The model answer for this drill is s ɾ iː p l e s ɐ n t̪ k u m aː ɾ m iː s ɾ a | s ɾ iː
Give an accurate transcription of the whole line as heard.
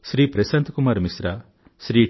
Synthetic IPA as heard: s ɾ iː p ɾ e s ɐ n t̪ k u m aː ɾ m i s ɾ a | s ɾ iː